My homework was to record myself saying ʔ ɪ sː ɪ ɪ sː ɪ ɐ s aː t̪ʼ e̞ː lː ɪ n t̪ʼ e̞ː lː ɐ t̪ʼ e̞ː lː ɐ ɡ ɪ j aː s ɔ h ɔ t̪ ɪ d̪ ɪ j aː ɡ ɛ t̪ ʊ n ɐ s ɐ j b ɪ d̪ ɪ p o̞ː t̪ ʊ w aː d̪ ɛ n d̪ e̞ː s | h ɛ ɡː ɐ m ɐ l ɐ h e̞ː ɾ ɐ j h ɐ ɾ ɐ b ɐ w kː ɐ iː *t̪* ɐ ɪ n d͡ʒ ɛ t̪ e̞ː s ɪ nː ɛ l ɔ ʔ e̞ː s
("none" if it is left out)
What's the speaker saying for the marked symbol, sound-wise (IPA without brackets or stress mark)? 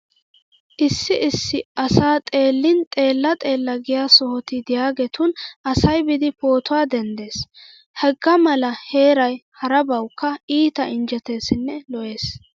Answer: t̪